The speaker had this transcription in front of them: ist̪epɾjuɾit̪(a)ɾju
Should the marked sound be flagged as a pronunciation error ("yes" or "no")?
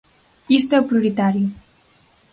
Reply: no